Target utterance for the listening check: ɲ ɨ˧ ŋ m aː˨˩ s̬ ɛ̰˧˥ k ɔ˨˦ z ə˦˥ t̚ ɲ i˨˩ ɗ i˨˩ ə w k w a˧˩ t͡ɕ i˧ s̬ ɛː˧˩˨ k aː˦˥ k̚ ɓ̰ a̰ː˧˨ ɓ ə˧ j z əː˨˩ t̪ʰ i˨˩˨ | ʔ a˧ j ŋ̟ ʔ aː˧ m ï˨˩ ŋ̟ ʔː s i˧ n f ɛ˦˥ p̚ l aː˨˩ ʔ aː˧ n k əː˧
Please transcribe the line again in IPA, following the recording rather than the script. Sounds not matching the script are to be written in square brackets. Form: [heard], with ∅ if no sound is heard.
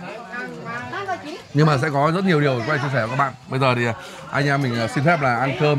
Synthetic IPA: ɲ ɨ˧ ŋ m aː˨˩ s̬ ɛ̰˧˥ k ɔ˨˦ z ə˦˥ t̚ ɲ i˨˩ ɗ i˨˩ ə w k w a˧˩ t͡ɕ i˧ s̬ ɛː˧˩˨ k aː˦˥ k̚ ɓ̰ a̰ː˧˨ ɓ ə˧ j z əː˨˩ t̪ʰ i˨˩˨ | ʔ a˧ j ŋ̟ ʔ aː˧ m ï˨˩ ŋ̟ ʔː s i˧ n f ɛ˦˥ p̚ l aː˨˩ ʔ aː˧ n k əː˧